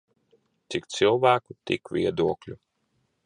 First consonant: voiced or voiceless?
voiceless